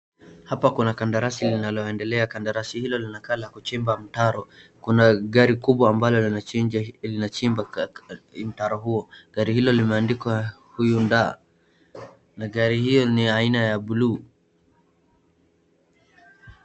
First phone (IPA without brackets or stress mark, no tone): h